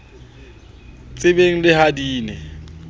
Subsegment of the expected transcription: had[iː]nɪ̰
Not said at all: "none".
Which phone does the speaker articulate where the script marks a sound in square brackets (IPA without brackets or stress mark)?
iː